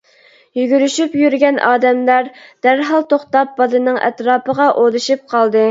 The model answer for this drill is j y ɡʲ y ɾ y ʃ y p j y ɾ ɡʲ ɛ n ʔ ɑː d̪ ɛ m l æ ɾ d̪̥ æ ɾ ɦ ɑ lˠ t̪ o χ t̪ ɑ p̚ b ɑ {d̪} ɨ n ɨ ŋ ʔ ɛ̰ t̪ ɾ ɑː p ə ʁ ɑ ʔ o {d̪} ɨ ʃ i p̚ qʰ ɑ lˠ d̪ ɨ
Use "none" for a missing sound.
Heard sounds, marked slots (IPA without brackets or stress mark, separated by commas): d̪, d̪